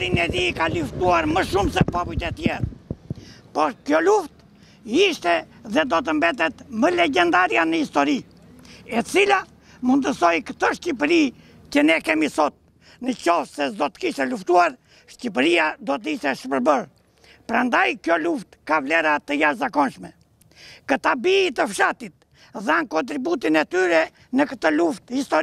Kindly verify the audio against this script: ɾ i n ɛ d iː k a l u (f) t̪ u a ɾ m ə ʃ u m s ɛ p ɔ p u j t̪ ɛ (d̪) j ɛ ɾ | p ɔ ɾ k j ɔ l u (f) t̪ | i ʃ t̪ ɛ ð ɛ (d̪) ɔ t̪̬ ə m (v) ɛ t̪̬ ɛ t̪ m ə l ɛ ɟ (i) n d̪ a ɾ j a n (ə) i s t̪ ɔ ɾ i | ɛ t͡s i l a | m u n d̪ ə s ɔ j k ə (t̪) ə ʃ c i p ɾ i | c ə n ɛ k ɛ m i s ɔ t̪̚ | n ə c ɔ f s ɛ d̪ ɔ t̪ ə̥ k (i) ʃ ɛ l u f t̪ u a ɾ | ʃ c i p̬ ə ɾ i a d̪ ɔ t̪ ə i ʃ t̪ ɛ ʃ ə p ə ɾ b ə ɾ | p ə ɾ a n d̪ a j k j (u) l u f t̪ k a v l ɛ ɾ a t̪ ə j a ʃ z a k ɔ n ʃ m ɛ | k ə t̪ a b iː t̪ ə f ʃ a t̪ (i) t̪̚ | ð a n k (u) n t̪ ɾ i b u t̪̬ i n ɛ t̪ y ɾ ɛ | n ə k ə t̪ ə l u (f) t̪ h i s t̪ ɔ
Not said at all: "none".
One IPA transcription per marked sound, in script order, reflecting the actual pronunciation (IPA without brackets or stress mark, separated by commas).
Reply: f, t̪, f, d̪, b, ɛ, ə, t̪, i, ɔ, i, ɔ, f